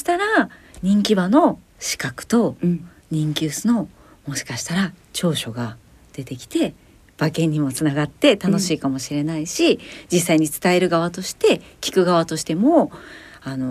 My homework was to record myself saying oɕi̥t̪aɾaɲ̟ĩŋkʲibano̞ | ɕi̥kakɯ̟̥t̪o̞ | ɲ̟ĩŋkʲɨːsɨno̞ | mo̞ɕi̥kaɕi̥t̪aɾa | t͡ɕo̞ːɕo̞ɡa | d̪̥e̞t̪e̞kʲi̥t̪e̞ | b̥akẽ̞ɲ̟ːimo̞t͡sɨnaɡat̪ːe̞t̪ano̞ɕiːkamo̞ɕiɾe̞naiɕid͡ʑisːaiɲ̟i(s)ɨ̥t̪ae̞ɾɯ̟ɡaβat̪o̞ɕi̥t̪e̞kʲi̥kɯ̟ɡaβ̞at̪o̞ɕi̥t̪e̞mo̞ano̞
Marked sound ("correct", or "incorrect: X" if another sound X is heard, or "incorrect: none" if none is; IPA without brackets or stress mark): incorrect: t͡s